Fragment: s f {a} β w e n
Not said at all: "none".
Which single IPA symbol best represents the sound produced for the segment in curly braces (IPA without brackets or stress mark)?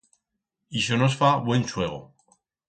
a